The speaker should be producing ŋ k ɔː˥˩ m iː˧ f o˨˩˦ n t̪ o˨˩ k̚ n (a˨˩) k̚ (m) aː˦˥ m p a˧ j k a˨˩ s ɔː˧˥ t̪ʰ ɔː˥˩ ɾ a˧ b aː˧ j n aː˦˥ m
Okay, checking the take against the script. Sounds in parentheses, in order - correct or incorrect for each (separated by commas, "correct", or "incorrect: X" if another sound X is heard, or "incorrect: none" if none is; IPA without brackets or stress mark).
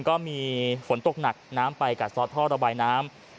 correct, incorrect: n